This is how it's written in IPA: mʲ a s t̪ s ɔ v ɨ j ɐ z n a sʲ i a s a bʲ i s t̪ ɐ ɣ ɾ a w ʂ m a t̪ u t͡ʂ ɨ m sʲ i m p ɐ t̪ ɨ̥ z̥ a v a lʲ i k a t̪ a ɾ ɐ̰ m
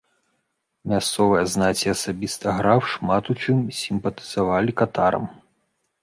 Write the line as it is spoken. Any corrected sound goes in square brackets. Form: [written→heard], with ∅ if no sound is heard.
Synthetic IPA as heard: mʲ a s t̪ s ɔ v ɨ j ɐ z n a [sʲ→t͡sʲ] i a s a bʲ i s t̪ ɐ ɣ ɾ a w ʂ m a t̪ u t͡ʂ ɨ m sʲ i m p ɐ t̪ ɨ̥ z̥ a v a lʲ i k a t̪ a ɾ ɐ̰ m